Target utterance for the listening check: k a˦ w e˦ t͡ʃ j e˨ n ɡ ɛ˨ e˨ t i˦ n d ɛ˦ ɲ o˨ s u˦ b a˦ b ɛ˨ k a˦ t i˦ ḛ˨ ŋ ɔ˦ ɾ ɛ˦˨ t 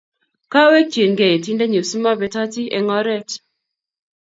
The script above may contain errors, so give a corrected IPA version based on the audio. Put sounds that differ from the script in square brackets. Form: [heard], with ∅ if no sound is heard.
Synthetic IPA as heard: k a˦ w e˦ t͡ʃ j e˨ n ɡ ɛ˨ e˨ t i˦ n d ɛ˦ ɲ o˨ s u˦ [m] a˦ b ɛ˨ [t] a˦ t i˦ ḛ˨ ŋ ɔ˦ ɾ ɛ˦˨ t